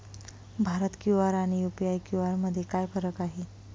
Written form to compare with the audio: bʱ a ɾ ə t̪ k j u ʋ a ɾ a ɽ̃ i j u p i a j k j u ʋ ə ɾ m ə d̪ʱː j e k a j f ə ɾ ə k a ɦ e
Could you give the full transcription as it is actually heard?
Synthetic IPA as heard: bʱ a ɾ ə t̪ k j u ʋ a ɾ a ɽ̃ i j u p i a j k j u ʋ a ɾ m ə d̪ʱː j e k a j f ə ɾ ə k a ɦ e